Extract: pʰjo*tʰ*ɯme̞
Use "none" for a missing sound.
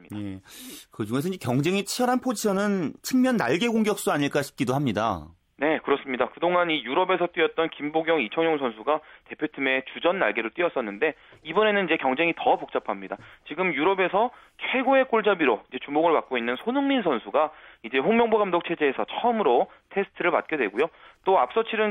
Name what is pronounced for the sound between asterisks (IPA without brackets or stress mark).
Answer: tʰ